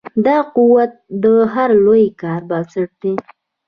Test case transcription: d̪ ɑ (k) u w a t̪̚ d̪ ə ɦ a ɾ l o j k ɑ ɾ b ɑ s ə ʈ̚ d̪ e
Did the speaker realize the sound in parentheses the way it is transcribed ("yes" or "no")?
no